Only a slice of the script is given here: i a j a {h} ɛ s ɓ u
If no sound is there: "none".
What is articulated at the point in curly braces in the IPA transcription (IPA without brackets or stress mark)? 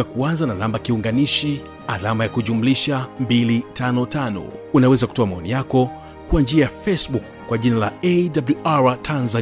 f